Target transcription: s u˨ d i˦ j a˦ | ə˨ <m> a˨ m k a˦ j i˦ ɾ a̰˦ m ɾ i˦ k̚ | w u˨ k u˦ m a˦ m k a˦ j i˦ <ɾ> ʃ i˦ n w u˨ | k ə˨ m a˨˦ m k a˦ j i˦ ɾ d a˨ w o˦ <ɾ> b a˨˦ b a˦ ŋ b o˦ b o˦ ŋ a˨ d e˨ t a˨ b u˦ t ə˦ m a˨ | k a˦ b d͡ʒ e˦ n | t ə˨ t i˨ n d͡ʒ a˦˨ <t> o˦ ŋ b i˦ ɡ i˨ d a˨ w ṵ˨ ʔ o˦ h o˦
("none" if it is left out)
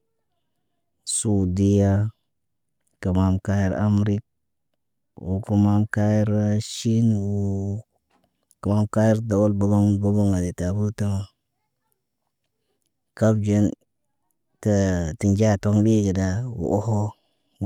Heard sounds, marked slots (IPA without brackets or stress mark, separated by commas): m, ɾ, l, t